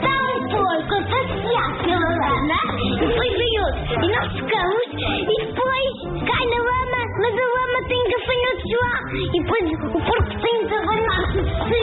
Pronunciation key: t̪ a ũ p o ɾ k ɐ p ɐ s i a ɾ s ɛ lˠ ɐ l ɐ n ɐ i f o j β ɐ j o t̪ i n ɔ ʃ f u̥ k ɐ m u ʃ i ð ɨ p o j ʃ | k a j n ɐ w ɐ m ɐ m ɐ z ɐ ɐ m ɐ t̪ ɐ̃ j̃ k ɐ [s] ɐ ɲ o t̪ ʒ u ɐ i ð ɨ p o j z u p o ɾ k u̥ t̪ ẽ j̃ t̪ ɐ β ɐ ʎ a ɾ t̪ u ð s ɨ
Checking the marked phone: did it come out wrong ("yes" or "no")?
yes